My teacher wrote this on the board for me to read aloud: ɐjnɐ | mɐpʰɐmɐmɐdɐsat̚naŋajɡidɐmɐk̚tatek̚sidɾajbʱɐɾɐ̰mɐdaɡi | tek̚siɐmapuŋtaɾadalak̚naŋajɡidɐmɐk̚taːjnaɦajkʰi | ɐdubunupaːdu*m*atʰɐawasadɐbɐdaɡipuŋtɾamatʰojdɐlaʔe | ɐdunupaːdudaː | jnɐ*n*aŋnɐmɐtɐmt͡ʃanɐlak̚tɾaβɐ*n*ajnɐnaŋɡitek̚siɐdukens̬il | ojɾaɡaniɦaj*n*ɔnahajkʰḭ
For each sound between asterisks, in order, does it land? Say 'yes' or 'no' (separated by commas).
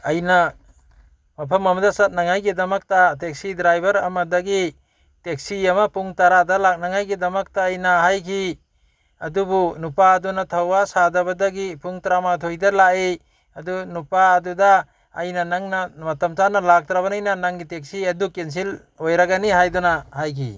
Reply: no, yes, yes, no